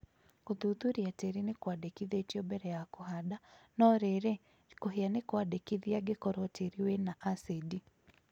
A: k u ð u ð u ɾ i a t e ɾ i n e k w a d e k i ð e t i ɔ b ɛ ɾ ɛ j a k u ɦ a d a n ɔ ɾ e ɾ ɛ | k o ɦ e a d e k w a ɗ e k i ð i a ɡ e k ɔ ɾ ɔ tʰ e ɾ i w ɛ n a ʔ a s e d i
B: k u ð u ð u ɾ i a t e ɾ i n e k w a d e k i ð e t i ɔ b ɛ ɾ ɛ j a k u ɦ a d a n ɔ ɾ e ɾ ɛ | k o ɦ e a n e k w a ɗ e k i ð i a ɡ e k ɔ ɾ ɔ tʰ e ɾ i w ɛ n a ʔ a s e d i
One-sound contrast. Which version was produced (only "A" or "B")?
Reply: B